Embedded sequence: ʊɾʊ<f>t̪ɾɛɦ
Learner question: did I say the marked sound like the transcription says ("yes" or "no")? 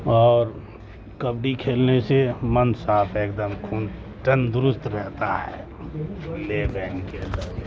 no